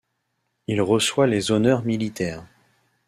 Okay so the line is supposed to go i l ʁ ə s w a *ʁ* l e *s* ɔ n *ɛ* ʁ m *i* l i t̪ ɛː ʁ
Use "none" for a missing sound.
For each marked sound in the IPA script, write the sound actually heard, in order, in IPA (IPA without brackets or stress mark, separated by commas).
none, z, œ, i